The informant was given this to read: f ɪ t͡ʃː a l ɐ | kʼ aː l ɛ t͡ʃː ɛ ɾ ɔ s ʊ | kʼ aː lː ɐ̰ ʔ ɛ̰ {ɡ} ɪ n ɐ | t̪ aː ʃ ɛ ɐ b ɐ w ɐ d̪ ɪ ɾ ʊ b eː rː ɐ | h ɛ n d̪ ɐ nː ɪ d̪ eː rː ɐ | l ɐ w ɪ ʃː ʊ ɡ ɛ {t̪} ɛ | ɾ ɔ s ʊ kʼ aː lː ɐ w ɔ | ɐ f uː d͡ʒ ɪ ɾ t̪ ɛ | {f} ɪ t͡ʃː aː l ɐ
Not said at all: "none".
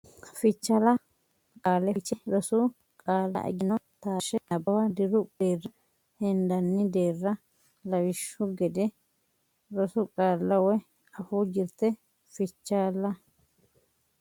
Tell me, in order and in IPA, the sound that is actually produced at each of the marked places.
ɡ, d̪, f

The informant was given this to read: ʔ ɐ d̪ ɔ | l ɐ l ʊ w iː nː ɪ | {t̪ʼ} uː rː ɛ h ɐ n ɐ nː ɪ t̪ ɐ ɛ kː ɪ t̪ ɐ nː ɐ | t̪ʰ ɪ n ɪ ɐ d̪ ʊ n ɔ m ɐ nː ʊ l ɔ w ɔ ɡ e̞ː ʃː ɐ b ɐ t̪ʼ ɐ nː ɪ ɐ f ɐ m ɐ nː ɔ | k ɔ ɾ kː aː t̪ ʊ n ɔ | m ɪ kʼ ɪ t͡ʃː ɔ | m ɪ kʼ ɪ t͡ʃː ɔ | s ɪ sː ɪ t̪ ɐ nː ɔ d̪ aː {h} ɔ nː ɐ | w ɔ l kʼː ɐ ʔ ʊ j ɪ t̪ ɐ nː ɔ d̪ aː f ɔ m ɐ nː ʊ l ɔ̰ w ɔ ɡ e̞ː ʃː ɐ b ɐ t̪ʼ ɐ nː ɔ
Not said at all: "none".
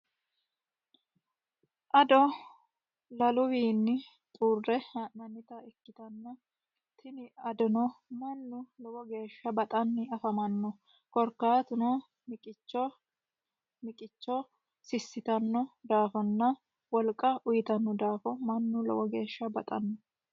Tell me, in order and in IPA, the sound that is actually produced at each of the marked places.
t̪ʼ, f

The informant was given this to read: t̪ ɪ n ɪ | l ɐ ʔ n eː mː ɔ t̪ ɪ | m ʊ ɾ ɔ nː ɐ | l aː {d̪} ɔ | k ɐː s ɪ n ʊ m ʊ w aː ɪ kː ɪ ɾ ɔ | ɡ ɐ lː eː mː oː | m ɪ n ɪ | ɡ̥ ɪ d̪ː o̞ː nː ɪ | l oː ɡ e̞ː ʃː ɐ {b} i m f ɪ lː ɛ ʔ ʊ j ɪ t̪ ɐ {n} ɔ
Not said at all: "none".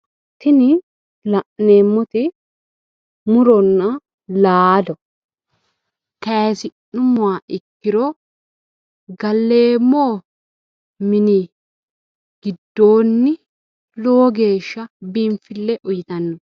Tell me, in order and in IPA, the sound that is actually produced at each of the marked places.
d̪, b, nː

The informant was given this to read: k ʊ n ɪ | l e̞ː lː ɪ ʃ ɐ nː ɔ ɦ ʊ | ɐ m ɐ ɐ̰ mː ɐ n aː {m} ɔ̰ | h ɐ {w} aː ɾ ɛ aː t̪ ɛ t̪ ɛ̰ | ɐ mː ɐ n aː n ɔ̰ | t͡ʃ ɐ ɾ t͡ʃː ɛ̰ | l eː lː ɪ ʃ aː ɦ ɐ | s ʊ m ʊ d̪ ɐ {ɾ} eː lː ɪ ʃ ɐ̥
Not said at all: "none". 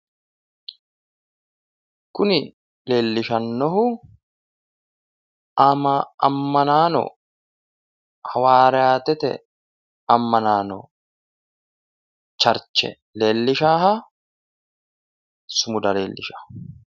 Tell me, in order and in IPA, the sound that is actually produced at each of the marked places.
n, w, l

